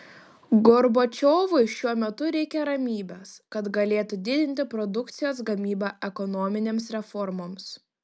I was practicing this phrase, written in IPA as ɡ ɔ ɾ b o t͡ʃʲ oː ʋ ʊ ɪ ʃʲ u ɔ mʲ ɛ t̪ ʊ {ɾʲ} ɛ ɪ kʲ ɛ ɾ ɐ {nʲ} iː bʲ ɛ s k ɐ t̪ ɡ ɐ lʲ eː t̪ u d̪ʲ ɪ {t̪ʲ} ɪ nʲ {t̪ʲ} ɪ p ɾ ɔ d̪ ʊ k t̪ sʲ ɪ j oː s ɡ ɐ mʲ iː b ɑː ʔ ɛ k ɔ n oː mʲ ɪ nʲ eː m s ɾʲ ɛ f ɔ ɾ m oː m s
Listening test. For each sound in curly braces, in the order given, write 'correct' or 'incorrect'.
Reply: correct, incorrect: mʲ, incorrect: d̪ʲ, correct

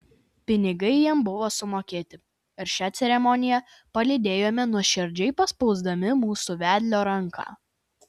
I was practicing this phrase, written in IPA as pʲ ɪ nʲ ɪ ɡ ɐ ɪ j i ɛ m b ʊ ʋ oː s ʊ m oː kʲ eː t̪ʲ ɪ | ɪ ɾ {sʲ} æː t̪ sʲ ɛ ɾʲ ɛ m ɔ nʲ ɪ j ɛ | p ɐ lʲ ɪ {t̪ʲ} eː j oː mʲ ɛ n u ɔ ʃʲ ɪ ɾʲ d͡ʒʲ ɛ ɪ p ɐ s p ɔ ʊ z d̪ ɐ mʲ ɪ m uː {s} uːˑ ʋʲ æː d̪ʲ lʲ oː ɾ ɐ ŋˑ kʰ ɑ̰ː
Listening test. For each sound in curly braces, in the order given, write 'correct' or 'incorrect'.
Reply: incorrect: ʃʲ, incorrect: d̪ʲ, correct

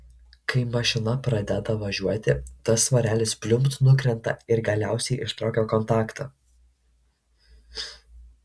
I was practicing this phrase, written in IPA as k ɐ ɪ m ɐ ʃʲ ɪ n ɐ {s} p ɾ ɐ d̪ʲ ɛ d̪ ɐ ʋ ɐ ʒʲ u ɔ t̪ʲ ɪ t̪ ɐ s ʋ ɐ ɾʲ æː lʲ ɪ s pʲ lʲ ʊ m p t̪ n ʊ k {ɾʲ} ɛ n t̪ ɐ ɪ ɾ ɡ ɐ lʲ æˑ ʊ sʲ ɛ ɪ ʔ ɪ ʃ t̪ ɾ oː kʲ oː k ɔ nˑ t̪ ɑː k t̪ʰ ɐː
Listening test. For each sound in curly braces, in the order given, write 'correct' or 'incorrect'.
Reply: incorrect: none, correct

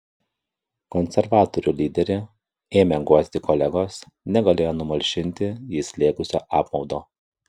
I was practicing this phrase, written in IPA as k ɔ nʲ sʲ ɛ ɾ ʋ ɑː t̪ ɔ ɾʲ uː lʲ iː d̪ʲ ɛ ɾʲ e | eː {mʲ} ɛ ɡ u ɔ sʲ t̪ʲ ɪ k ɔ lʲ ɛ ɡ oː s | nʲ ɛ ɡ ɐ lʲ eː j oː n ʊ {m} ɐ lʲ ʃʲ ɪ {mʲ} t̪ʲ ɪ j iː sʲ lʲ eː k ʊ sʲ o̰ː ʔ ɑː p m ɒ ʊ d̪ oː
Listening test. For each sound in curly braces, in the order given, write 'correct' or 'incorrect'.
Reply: correct, correct, incorrect: nʲ

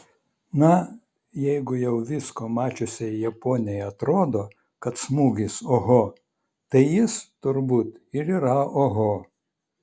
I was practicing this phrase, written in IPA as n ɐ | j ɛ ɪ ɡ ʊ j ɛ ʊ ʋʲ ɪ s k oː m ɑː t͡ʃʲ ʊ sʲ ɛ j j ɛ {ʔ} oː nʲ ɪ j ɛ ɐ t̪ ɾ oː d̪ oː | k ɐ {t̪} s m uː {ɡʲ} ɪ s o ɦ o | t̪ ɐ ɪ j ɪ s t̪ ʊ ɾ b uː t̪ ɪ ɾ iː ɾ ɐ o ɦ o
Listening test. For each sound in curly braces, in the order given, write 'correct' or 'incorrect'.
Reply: incorrect: p, correct, correct

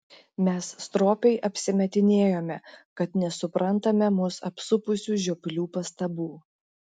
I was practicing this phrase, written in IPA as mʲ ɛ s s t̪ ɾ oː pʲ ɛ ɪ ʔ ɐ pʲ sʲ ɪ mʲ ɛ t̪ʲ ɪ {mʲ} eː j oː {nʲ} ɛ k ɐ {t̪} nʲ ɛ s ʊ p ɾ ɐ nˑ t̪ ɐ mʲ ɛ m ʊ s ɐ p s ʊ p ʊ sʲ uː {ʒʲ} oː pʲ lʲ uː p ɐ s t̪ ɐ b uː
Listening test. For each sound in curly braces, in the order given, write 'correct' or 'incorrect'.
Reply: incorrect: nʲ, incorrect: mʲ, correct, correct

